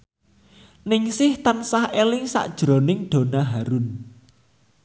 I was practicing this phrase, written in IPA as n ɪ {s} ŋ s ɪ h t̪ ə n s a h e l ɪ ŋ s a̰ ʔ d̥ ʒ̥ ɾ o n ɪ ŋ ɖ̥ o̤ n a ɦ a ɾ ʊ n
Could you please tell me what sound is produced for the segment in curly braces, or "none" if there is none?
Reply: none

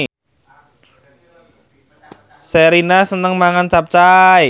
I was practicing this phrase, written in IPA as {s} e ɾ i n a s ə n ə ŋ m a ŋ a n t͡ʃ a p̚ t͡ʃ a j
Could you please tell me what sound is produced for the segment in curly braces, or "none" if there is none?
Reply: s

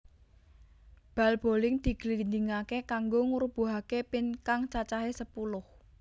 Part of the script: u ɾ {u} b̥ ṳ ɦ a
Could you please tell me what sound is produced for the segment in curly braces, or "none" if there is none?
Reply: u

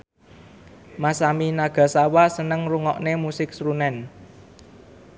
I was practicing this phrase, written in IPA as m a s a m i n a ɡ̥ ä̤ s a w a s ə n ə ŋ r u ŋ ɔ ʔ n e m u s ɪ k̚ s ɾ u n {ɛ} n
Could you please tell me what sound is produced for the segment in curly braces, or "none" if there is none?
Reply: ɛ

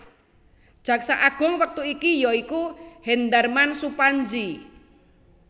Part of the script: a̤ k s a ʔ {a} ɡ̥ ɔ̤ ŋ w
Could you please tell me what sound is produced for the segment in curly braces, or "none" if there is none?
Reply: a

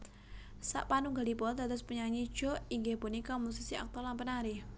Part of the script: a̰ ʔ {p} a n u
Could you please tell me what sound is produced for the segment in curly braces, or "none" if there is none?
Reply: p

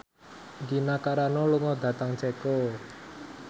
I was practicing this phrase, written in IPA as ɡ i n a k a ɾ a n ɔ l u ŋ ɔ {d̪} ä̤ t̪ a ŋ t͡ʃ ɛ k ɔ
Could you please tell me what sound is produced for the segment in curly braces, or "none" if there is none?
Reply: d̪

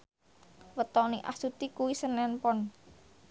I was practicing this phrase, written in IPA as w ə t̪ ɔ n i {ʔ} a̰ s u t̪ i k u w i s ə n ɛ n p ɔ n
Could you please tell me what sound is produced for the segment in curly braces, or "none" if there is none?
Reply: ʔ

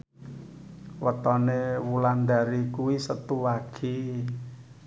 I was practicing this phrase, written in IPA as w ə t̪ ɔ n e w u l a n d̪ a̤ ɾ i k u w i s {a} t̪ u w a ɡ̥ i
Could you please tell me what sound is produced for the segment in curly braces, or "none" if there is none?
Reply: ə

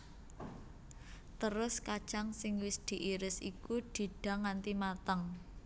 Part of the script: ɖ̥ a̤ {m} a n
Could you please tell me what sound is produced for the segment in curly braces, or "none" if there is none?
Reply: ŋ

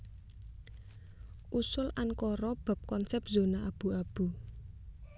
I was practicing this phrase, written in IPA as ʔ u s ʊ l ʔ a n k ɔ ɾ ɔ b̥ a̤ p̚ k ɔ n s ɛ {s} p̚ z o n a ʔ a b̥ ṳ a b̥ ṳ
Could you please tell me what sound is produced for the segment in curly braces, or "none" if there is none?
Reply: none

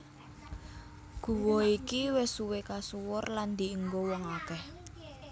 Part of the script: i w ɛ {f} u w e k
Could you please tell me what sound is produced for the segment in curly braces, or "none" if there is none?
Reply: s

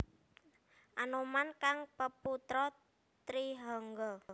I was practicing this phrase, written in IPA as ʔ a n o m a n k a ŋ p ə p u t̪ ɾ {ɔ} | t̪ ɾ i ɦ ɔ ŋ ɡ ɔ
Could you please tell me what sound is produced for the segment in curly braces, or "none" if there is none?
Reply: ɔ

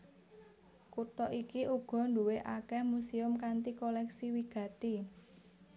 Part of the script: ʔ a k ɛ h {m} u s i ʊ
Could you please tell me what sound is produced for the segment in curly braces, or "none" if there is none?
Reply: m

